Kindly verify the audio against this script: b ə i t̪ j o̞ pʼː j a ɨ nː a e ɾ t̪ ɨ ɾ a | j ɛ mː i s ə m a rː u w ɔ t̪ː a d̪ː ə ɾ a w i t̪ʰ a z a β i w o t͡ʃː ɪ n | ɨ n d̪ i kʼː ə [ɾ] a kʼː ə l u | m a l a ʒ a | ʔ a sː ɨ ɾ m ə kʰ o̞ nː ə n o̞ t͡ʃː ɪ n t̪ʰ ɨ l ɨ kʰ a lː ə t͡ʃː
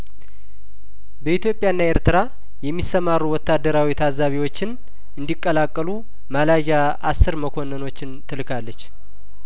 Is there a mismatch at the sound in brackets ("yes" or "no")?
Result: yes